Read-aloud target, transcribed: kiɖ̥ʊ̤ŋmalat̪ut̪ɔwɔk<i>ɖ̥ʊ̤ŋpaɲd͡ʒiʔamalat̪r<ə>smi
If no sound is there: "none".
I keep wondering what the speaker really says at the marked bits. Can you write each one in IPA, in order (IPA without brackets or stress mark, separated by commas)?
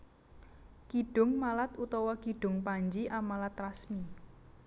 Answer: i, a